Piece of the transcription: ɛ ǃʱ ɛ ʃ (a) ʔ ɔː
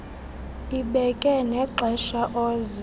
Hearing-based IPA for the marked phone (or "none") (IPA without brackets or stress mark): a